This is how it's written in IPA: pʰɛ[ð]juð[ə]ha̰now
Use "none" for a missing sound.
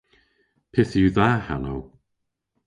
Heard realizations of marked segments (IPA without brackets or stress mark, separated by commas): θ, a